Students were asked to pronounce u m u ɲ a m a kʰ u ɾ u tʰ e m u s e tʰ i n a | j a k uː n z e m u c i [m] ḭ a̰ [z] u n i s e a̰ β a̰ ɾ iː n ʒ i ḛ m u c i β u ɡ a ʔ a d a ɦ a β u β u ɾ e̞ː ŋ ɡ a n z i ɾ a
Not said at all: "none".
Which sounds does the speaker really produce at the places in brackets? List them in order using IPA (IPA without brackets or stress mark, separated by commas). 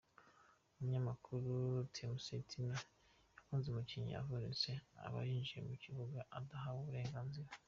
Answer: ɲ, v